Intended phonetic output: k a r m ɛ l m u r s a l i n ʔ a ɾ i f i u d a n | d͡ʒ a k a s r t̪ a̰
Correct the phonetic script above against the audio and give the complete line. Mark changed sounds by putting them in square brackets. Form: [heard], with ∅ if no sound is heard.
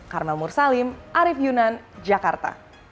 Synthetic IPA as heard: k a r m ɛ l m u r s a l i [m] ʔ a ɾ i f [j] u [n] a n | d͡ʒ a k a [∅] r t̪ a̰